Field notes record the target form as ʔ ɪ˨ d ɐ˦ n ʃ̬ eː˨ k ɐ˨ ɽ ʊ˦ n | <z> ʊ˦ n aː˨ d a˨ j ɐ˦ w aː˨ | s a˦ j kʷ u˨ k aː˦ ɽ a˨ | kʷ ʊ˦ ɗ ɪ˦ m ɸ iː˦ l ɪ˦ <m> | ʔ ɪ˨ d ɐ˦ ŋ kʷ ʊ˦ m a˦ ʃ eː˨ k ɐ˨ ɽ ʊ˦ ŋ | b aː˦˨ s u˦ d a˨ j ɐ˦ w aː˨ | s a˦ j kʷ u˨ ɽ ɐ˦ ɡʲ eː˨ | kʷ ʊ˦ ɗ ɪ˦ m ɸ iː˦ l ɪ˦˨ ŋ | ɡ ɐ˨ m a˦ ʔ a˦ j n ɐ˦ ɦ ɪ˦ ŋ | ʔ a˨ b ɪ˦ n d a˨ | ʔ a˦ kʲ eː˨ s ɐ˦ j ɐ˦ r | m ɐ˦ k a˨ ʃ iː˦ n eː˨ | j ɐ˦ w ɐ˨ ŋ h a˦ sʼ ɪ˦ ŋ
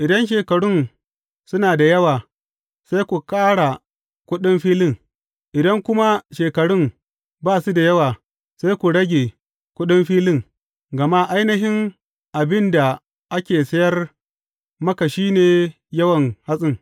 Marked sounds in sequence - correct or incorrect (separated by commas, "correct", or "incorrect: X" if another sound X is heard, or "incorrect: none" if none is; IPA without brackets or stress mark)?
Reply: incorrect: s, incorrect: ŋ